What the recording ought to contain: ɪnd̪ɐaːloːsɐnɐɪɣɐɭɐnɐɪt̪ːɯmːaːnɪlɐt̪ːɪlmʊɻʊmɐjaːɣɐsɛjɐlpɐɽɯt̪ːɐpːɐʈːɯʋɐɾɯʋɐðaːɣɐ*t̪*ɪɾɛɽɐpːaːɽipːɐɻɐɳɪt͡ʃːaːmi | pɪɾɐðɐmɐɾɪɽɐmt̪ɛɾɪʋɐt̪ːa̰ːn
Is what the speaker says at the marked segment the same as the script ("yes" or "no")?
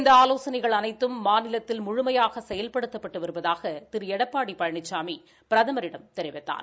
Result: yes